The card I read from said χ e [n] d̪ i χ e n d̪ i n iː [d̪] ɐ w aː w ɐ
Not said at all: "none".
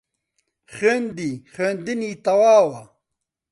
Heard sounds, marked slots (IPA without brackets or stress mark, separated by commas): n, t̪